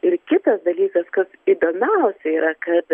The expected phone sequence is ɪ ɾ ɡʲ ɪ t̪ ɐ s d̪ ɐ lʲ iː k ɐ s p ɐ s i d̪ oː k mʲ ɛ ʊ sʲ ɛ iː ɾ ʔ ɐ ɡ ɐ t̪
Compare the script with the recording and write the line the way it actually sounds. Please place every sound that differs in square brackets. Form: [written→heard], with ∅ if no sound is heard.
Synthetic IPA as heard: ɪ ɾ [ɡʲ→kʲ] ɪ t̪ ɐ s d̪ ɐ lʲ iː k ɐ s [p→k] ɐ s i d̪ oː [k→∅] mʲ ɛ ʊ sʲ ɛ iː ɾ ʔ ɐ [ɡ→k] ɐ t̪